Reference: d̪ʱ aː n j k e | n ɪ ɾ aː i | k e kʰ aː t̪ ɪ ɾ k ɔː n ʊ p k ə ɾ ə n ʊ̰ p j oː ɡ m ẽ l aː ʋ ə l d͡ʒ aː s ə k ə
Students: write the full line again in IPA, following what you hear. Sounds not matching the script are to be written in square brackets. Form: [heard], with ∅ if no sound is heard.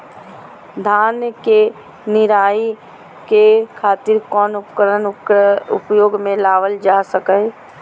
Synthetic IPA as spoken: d̪ʱ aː n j k e | n ɪ ɾ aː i | k e kʰ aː t̪ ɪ ɾ k ɔː n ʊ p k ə ɾ ə n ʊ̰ p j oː ɡ m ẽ l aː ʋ ə l d͡ʒ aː s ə k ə